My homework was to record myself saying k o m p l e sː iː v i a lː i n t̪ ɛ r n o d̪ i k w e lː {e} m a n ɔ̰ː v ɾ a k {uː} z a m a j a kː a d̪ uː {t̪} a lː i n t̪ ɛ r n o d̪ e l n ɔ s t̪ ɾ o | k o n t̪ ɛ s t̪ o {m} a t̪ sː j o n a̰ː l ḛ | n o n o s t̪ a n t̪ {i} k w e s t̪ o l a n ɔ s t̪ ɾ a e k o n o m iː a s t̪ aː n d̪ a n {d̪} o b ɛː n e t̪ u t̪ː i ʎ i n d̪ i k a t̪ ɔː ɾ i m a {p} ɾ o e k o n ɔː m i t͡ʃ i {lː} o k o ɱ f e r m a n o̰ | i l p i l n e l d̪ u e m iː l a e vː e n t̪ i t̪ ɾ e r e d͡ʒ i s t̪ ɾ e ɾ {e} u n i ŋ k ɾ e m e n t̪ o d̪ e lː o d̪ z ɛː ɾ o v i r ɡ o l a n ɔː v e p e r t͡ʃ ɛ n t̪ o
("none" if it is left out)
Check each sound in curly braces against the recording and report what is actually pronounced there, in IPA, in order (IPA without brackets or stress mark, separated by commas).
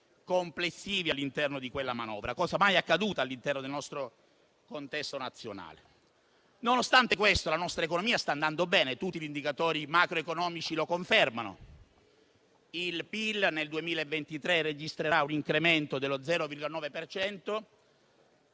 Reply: a, ɔː, t̪, n, e, d̪, k, l, a